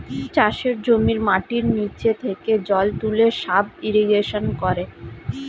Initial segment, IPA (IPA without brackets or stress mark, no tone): t͡ɕ